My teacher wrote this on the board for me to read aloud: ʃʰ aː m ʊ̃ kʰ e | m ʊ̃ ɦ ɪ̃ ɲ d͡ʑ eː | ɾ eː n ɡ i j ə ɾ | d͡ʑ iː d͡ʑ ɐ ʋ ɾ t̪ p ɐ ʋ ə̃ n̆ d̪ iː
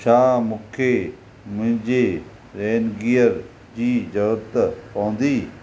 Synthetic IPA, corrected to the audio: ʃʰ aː m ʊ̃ kʰ e | m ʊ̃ ɦ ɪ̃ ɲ d͡ʑ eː | ɾ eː n ɡ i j ə ɾ | d͡ʑ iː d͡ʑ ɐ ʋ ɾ t̪ p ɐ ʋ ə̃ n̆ d̪ iː